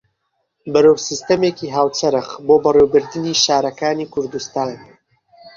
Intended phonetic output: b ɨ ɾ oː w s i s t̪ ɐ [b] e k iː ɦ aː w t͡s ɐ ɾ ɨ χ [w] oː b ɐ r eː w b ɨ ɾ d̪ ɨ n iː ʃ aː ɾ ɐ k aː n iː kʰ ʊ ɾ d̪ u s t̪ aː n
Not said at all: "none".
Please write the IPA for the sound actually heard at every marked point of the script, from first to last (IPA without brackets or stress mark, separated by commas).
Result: m, b